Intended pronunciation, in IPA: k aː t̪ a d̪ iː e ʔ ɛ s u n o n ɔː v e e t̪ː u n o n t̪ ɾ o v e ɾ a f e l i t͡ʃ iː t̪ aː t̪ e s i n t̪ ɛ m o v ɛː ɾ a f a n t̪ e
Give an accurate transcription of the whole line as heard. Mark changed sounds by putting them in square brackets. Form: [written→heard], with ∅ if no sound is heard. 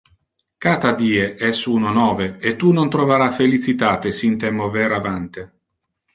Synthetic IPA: k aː t̪ a d̪ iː e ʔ ɛ s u n o n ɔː v e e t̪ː u n o n t̪ ɾ o v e ɾ a f e l i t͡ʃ [iː→i] t̪ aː t̪ e s i n t̪ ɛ m o v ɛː ɾ a [f→v] a n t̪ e